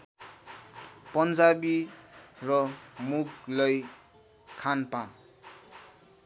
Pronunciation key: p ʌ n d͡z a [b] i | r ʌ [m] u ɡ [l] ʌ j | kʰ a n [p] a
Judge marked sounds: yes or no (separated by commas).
yes, yes, yes, yes